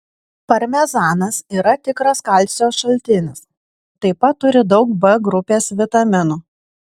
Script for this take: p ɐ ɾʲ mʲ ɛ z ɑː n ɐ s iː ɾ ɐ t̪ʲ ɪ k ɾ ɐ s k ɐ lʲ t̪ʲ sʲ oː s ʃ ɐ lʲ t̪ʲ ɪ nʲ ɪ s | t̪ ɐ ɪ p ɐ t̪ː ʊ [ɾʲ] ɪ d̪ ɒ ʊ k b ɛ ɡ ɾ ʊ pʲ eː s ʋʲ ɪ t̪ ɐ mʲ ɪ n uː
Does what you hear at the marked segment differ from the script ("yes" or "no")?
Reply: no